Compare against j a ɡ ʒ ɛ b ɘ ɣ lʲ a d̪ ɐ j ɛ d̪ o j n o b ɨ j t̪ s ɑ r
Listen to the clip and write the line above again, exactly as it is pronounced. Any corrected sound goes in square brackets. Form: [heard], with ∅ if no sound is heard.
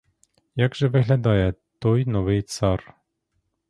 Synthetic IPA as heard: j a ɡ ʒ ɛ [v] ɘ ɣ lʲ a d̪ [ɑ] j ɛ [t̪] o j n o [v] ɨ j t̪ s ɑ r